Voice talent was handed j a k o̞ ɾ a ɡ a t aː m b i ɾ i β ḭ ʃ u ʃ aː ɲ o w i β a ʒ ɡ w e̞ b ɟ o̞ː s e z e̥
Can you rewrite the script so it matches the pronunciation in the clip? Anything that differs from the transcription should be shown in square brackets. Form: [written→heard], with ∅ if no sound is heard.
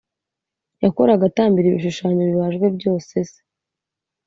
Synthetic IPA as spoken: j a k o̞ ɾ a ɡ a t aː m b i ɾ i β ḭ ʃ u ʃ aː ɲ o [w→β] i β a ʒ ɡ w e̞ b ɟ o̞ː s e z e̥